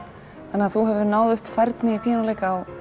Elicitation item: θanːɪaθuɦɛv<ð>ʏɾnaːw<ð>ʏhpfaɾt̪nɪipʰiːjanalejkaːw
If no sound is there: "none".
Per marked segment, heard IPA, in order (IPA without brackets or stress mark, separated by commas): ð, ð